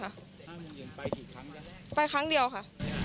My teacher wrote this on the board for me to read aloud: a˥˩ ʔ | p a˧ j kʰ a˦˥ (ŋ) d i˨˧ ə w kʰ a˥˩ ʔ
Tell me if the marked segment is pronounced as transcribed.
yes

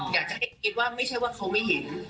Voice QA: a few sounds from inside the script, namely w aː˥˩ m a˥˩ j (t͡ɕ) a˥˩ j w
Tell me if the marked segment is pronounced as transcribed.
no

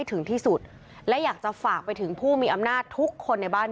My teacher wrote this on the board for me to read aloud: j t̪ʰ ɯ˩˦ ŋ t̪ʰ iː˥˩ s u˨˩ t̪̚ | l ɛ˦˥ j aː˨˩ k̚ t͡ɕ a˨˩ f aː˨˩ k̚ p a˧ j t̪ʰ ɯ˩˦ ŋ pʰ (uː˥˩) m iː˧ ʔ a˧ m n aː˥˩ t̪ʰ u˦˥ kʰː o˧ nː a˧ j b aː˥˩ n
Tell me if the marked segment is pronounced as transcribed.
yes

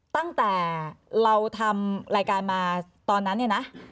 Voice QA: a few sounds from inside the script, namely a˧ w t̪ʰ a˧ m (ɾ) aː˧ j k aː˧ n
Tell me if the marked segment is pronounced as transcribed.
yes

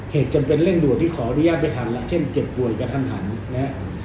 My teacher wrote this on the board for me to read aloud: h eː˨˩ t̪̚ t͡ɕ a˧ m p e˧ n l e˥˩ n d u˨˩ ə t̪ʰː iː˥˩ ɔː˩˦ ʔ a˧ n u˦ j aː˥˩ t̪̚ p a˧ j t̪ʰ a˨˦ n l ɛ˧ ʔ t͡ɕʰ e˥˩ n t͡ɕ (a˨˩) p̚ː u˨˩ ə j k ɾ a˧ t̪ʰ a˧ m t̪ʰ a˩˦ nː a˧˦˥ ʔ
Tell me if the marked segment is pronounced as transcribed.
no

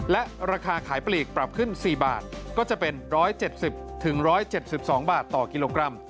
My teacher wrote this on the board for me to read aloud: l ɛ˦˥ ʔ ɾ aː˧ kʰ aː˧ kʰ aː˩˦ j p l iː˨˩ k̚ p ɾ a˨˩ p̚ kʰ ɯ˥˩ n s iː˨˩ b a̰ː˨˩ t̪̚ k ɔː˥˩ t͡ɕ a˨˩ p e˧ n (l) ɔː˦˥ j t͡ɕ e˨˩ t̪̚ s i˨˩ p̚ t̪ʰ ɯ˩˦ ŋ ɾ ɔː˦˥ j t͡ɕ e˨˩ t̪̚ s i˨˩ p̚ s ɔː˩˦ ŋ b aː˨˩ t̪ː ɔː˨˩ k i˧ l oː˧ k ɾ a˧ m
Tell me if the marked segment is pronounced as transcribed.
no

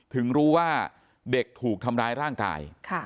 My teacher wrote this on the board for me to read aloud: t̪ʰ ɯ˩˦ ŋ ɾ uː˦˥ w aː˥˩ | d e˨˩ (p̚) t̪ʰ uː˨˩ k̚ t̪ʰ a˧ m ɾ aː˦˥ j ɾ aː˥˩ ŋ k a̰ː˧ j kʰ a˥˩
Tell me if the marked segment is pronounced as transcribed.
no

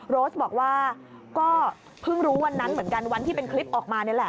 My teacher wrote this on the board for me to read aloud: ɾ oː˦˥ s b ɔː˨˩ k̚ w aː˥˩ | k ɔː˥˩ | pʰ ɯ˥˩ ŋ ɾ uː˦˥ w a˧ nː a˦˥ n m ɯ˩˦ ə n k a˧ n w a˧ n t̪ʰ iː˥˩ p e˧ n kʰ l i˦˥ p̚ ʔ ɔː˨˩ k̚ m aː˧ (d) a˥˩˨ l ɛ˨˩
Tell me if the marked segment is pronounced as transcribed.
no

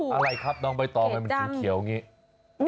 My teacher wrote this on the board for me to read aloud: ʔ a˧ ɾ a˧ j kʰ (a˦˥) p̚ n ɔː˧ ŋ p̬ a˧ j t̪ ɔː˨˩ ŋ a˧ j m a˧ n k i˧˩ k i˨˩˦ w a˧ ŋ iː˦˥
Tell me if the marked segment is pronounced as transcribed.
yes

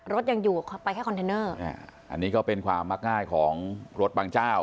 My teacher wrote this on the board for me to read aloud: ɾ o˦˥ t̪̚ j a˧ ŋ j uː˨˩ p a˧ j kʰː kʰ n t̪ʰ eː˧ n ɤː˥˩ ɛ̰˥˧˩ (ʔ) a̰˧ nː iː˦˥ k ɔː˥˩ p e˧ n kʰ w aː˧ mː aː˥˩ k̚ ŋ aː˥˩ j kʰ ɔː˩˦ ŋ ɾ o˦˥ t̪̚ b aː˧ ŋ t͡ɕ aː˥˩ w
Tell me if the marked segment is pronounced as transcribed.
yes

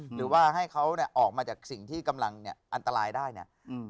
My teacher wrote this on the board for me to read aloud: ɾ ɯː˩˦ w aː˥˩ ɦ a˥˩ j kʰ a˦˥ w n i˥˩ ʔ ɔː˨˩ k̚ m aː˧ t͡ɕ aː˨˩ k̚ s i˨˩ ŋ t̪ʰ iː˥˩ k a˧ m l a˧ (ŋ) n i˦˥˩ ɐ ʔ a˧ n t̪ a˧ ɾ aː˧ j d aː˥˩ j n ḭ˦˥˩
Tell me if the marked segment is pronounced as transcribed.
yes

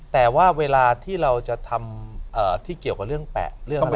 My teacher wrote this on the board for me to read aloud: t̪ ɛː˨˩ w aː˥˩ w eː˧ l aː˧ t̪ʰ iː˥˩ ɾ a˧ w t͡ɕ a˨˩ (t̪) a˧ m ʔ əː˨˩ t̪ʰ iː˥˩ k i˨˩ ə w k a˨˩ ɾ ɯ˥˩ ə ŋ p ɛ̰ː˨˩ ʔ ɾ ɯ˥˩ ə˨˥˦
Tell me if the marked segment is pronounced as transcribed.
no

